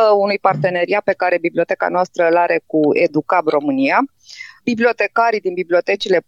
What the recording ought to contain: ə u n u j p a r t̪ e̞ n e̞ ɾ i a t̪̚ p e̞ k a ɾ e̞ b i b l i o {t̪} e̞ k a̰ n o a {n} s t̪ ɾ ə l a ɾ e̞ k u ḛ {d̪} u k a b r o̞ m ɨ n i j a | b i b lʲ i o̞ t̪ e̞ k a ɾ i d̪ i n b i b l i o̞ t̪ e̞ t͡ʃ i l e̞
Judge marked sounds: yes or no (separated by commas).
yes, no, yes